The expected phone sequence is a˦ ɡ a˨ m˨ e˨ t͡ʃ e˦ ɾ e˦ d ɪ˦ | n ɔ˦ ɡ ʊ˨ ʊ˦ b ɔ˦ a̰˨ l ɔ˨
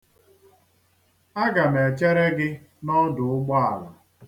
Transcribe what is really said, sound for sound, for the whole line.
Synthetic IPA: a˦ ɡ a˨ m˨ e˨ t͡ʃ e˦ ɾ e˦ ɡ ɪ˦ | n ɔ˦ d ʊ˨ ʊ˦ ɡ͡b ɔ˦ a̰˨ l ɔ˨